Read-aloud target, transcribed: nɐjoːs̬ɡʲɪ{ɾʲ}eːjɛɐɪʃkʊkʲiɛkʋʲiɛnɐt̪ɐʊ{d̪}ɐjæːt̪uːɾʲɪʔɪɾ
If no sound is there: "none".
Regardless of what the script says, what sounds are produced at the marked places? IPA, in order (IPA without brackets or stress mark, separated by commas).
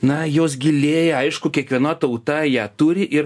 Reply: lʲ, t̪